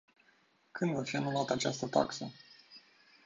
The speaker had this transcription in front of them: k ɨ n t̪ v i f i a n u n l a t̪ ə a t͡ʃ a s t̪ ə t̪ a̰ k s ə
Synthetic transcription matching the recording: k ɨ n d̪ v a f i a n u l a t̪ ə a t͡ʃ a s t̪ ə t̪ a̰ k s ə